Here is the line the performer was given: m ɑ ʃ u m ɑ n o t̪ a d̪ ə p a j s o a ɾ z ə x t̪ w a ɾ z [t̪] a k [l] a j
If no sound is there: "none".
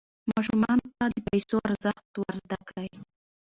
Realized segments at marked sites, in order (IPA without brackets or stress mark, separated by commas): d̪, ɽ